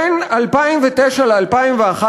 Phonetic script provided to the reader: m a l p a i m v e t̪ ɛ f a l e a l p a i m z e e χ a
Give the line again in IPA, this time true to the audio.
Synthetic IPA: n a l p a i m v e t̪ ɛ ʃ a l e a l p a i m v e a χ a

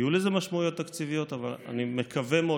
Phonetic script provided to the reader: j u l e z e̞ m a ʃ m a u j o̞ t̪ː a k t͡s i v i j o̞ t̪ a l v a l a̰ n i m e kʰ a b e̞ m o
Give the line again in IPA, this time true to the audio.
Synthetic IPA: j u l e z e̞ m a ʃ m a u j o̞ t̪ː a k t͡s i v i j o̞ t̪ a v a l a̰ n i m e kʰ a v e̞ m o

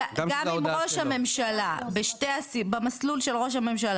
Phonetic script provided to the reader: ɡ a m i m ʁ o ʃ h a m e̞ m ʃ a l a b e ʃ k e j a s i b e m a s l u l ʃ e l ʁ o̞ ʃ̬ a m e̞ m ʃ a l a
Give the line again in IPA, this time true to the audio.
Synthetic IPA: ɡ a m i m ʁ o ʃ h a m e̞ m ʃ a l a b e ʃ t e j a s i b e m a s l u l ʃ e l ʁ o̞ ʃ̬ a m e̞ m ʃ a l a

